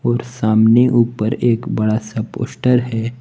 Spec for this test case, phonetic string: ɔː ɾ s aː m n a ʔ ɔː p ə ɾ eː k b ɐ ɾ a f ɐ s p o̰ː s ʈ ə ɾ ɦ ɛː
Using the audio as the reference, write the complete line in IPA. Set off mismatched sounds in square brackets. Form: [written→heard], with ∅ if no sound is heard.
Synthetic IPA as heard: ɔː ɾ s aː m n [a→e] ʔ [ɔː→uː] p ə ɾ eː k b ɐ [ɾ→ɽ] a [f→s] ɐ [s→∅] p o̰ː s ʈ ə ɾ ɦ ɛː